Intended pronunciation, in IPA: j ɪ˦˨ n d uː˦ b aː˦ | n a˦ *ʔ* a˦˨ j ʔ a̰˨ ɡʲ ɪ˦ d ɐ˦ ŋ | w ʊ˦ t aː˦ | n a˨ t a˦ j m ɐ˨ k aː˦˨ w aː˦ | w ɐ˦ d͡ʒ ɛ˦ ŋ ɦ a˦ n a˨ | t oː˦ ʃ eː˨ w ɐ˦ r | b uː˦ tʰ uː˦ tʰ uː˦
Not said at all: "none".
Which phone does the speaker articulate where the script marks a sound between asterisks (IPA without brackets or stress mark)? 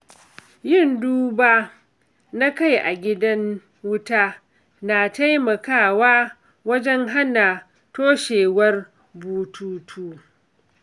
k